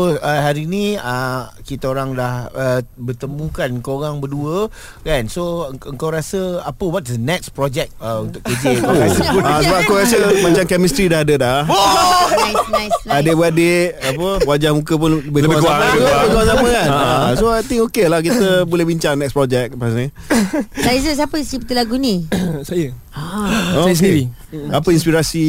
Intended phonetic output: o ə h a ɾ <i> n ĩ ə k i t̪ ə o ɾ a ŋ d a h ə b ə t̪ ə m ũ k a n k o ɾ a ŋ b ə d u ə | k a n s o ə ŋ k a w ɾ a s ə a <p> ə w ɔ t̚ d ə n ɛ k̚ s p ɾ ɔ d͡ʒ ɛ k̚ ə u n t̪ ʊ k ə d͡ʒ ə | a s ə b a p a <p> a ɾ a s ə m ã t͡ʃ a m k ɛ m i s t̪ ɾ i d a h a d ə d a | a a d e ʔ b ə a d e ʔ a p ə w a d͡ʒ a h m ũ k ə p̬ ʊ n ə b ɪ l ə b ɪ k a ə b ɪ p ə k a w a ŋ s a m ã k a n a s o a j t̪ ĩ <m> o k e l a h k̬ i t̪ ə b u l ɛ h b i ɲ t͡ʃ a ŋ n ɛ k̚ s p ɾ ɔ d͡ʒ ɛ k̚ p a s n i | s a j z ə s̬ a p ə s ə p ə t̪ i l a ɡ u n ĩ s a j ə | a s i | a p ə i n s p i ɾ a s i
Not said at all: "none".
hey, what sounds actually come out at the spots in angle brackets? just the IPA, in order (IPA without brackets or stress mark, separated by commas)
i, p, k, ŋ